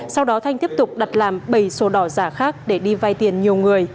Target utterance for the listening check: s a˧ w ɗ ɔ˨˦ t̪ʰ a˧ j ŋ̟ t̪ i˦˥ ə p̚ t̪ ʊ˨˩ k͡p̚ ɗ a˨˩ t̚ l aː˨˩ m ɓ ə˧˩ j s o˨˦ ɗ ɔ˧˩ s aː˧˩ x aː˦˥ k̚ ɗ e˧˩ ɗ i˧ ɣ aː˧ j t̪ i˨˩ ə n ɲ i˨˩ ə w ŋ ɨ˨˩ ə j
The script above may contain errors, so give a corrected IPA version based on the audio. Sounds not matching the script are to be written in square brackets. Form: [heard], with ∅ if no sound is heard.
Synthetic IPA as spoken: s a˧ w ɗ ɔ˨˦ t̪ʰ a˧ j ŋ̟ t̪ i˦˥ ə p̚ t̪ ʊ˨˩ k͡p̚ ɗ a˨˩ t̚ l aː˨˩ m ɓ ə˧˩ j s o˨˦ ɗ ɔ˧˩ [z] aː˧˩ x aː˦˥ k̚ ɗ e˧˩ ɗ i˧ [v] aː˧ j t̪ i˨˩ ə n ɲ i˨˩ ə w ŋ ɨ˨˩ ə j